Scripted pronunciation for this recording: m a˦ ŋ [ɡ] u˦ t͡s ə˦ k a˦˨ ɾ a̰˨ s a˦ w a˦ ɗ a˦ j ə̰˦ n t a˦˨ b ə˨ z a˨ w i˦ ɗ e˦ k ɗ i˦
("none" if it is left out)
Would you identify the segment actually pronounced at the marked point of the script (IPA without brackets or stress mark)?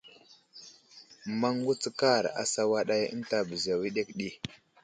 ɡ